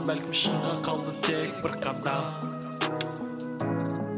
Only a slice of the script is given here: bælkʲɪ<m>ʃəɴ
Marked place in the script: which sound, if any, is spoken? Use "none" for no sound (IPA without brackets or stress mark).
m